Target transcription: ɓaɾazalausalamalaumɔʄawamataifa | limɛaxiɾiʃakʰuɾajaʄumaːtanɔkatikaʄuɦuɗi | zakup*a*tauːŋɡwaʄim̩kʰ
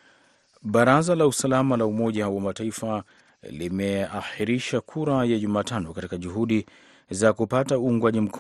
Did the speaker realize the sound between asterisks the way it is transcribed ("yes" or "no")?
yes